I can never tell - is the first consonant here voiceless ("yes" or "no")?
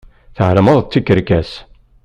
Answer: yes